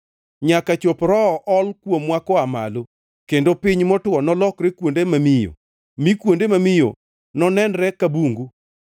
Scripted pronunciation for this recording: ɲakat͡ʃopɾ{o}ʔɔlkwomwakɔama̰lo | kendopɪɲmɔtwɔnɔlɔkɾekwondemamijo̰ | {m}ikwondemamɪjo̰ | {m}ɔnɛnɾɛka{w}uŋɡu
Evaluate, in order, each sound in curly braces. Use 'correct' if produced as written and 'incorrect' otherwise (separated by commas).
incorrect, correct, incorrect, incorrect